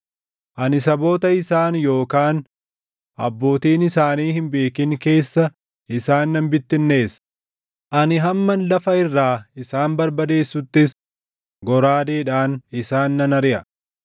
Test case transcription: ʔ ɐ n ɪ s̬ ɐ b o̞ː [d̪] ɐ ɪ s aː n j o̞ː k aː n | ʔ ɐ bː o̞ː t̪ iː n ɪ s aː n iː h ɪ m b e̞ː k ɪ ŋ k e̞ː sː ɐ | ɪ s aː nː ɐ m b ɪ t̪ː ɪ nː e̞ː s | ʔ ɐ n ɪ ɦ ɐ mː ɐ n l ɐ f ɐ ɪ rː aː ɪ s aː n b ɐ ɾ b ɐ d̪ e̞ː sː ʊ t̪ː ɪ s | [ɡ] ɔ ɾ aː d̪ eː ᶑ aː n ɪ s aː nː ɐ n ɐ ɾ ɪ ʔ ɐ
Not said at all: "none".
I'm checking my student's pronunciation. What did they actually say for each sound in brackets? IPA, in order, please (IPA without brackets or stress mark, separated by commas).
t̪, ɡ